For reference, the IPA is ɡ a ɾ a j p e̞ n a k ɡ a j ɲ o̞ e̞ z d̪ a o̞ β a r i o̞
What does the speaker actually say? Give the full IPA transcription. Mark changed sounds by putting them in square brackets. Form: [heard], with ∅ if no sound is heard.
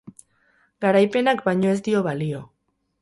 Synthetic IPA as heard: ɡ a ɾ a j p e̞ n a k [b] a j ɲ o̞ e̞ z d̪ [i] o̞ β a [l] i o̞